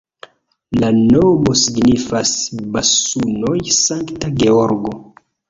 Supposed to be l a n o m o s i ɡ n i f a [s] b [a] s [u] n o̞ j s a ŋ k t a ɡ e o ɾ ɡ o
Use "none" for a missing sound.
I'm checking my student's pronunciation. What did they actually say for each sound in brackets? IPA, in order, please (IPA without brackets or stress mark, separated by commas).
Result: s, a, u